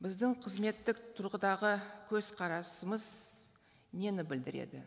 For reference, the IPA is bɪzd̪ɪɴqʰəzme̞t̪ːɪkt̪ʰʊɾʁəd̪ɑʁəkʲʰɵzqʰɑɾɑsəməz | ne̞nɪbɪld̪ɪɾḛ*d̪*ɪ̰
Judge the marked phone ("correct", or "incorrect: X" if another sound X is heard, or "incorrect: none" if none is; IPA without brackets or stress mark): correct